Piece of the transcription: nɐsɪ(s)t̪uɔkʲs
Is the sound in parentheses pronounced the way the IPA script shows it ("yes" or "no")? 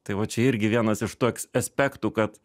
no